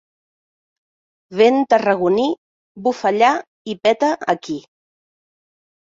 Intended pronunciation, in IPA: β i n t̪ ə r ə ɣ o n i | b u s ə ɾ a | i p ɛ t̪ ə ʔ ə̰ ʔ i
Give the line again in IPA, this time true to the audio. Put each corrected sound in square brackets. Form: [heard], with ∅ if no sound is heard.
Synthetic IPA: β [e] n t̪ ə r ə ɣ [u] n i | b u [f] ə [ʎ] a | i p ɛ t̪ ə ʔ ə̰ [k] i